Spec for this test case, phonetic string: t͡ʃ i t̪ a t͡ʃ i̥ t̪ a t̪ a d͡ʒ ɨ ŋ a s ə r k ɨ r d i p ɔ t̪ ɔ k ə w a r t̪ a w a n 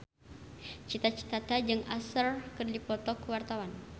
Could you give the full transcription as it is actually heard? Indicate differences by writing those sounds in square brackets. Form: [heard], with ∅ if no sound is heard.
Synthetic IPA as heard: t͡ʃ i t̪ a t͡ʃ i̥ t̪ a t̪ a d͡ʒ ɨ ŋ a s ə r k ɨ r d i p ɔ t̪ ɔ k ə w a r t̪ a w a n